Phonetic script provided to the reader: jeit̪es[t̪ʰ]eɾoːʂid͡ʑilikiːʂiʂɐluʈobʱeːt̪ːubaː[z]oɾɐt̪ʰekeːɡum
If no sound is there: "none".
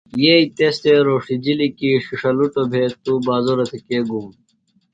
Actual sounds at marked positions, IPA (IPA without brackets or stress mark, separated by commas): t̪, z